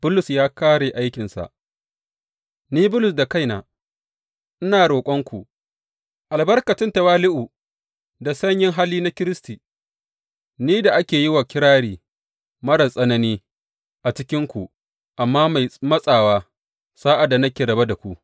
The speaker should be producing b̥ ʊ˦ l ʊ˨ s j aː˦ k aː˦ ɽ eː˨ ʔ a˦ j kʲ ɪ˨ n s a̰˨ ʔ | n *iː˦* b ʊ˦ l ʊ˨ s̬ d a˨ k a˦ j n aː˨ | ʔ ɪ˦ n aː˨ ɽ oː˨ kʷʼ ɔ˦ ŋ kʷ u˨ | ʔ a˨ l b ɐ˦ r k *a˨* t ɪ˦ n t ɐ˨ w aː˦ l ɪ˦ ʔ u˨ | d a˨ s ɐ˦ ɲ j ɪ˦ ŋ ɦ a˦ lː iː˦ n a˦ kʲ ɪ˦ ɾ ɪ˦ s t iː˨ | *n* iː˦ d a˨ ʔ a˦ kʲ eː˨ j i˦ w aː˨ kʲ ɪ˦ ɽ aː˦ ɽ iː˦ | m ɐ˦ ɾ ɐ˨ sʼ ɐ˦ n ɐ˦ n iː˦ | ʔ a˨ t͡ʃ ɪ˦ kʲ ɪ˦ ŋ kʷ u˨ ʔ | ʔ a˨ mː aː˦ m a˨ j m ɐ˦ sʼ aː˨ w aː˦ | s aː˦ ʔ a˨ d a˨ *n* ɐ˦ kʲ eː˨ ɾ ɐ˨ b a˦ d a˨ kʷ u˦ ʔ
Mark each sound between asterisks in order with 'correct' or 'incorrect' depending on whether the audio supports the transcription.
correct, incorrect: ɐ˨, correct, correct

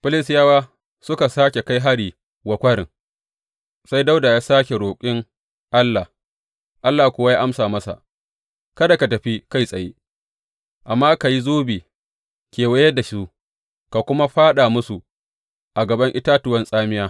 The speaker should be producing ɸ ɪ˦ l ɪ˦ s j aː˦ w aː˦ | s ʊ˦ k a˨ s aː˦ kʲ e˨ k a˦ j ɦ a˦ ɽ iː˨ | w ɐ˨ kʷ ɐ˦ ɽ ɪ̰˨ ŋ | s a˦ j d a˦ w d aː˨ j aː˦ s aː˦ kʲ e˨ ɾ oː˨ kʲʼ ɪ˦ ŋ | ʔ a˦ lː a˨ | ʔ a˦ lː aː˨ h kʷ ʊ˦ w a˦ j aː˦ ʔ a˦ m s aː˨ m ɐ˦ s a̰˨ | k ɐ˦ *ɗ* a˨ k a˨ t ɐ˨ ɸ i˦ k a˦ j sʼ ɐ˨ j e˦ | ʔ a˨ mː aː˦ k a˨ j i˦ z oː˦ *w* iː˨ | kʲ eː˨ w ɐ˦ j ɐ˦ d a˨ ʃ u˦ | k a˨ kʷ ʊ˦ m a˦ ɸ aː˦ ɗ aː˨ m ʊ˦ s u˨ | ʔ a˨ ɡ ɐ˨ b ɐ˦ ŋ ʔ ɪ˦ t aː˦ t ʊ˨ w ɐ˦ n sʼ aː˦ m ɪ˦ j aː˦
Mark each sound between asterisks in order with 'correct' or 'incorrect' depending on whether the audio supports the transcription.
incorrect: d, incorrect: b

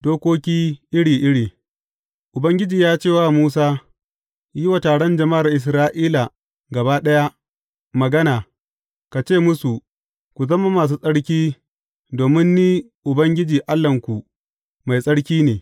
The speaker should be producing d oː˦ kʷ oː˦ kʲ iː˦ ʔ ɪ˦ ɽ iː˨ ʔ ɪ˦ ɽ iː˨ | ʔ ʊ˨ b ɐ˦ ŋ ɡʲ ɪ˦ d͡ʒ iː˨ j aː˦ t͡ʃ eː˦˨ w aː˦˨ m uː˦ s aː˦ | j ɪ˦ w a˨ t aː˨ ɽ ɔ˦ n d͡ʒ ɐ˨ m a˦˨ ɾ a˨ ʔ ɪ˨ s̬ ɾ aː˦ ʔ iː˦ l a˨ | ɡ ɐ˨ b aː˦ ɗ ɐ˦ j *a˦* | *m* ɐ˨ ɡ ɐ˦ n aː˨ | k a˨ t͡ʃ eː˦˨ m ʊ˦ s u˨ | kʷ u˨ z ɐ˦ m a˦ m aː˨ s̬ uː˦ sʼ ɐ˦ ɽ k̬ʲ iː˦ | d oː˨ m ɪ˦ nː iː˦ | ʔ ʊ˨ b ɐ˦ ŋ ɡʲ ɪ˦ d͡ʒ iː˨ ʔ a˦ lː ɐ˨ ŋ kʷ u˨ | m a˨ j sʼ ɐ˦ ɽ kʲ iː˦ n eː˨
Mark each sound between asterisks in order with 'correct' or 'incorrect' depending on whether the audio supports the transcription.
correct, correct

